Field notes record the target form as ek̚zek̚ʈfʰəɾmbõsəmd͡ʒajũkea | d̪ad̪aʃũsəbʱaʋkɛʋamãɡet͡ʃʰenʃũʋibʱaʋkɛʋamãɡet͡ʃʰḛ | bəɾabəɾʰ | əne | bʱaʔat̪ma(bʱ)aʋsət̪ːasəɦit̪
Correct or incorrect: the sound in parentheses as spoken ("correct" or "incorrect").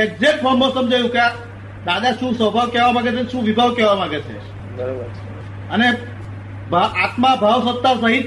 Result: correct